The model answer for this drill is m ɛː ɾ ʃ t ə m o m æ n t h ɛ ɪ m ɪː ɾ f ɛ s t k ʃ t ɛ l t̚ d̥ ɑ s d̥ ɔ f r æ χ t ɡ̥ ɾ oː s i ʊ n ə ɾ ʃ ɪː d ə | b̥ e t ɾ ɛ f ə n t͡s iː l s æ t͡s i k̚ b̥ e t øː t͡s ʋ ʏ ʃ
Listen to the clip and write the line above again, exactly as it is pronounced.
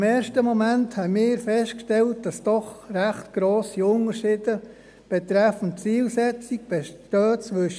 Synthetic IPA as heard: m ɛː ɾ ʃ t ə m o m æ n t h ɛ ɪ m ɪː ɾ f ɛ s t k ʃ t ɛ l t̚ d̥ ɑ s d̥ ɔ χ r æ χ t ɡ̥ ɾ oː s i ʊ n ə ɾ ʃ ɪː d ə | b̥ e t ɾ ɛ f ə n t͡s iː l s ɛ t͡s i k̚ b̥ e t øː t͡s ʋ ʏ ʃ